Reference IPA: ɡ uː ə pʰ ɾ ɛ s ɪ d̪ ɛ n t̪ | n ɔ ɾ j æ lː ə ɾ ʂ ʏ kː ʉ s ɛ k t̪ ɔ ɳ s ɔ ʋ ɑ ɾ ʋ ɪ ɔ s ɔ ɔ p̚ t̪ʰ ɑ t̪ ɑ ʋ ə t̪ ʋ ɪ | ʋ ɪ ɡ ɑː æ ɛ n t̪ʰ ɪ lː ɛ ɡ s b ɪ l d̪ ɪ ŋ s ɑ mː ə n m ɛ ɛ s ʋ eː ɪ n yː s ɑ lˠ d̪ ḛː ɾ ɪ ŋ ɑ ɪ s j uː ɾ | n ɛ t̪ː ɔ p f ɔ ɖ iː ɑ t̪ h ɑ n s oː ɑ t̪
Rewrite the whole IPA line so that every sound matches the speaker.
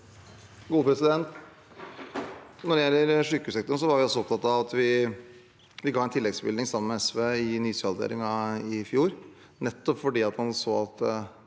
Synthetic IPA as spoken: ɡ uː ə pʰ ɾ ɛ s ɪ d̪ ɛ n t̪ | n ɔ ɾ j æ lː ə ɾ ʂ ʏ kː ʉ s ɛ k t̪ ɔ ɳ s ɔ ʋ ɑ ɾ ʋ ɪ ɔ s ɔ ɔ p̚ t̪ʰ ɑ t̪ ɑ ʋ ɑ t̪ ʋ ɪ | ʋ ɪ ɡ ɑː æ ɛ n t̪ʰ ɪ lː ɛ ɡ s b ɪ l d̪ ɪ ŋ s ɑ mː ə n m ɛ ɛ s ʋ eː ɪ n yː s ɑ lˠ d̪ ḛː ɾ ɪ ŋ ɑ ɪ f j uː ɾ | n ɛ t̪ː ɔ p f ɔ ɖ iː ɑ t̪ h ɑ n s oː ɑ t̪